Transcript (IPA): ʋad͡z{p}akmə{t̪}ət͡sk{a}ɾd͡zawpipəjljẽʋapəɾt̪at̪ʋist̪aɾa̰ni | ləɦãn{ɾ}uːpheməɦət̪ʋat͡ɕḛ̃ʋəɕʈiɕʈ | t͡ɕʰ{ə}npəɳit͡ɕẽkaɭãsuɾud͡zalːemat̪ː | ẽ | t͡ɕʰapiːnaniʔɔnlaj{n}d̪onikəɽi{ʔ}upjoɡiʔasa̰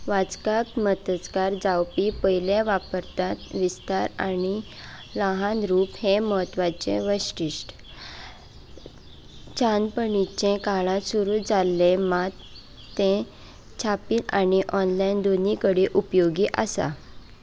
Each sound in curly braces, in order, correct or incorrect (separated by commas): incorrect, correct, correct, correct, incorrect, correct, correct